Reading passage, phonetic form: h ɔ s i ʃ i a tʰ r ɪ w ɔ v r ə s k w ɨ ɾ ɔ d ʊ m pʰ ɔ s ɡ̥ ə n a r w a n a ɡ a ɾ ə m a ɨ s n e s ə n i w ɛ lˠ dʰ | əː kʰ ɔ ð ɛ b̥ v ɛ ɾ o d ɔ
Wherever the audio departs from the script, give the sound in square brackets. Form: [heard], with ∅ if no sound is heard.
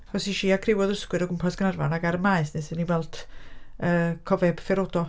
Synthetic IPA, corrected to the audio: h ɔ s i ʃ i a [kʰ] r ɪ w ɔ [ð] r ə s k w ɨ ɾ ɔ [ɡ] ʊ m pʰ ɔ s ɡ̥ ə n a r [v] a n a ɡ a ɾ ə m a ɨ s n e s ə n i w ɛ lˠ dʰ | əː kʰ ɔ [v] ɛ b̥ [f] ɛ ɾ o d ɔ